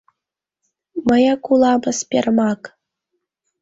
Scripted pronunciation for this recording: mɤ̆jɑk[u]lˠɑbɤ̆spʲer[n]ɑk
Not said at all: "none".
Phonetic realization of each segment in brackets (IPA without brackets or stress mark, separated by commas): u, m